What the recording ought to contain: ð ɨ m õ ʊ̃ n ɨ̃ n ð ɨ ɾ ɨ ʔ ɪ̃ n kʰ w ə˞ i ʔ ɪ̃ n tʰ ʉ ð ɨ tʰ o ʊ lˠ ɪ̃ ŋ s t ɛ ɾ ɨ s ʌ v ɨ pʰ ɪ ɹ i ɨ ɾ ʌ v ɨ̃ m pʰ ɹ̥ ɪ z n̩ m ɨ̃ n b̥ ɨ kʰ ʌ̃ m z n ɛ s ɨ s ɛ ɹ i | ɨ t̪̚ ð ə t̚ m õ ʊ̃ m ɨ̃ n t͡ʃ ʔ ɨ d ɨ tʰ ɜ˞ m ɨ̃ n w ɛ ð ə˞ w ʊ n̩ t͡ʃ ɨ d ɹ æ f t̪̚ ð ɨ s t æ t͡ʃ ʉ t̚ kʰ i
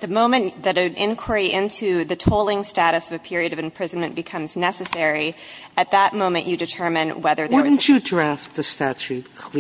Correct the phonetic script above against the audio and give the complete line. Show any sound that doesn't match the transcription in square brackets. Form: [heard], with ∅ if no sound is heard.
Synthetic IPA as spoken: ð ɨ m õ ʊ̃ [m] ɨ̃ n ð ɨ ɾ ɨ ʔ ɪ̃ n kʰ w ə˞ i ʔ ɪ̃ n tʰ ʉ ð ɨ tʰ o ʊ lˠ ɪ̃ ŋ s t [æ] ɾ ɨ s ʌ v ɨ pʰ ɪ ɹ i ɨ ɾ ʌ v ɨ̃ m pʰ ɹ̥ ɪ z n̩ m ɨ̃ n b̥ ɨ kʰ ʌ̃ m z n ɛ s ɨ s ɛ ɹ i | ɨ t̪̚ ð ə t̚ m õ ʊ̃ m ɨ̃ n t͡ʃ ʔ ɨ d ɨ tʰ ɜ˞ m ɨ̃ n w ɛ ð ə˞ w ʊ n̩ t͡ʃ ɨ d ɹ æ f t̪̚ ð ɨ s t æ t͡ʃ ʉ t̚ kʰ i